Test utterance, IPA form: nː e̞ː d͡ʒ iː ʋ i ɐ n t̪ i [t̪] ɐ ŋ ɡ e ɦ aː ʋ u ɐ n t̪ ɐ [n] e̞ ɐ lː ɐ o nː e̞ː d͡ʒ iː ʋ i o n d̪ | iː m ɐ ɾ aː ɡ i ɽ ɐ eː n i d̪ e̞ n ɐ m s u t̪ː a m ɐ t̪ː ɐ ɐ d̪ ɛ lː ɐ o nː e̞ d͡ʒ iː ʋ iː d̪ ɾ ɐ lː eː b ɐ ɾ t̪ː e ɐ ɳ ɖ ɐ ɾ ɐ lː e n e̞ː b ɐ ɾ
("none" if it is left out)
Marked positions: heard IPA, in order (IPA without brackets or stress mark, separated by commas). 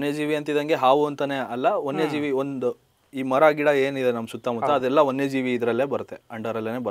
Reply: d̪, n